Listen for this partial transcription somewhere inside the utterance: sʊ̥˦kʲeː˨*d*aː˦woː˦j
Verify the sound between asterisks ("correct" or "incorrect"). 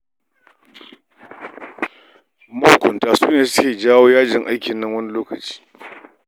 incorrect